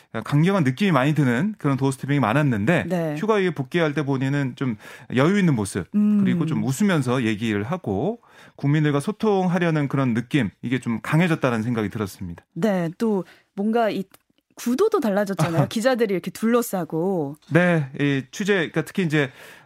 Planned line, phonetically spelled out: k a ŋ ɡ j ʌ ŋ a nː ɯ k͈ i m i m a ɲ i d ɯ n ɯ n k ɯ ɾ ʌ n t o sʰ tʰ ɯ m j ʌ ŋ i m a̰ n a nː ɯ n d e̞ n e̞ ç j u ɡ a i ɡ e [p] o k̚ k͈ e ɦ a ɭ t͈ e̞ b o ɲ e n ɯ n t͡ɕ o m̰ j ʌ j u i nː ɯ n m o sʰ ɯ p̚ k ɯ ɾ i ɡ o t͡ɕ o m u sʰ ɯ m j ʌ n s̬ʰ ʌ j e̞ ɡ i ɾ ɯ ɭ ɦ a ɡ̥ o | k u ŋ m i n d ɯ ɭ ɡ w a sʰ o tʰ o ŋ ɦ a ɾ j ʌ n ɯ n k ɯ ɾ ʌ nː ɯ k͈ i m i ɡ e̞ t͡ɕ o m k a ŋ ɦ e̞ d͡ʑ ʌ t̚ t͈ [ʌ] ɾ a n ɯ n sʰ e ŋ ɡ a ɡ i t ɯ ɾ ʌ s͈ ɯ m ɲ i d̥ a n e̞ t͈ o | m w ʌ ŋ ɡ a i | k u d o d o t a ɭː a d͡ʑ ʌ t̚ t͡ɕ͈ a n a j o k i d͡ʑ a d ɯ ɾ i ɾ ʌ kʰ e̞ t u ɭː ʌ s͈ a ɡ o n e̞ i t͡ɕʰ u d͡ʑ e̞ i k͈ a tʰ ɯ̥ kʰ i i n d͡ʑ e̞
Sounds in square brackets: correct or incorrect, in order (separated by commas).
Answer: correct, incorrect